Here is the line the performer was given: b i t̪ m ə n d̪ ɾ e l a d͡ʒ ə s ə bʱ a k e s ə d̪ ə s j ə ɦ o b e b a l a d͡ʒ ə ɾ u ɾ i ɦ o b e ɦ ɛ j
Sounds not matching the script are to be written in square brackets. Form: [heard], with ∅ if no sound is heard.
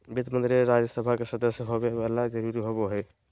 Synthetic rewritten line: b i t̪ m ə n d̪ ɾ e [ɾ] a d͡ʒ ə s ə bʱ a k e s ə d̪ ə s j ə ɦ o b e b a l a d͡ʒ ə ɾ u ɾ i ɦ o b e ɦ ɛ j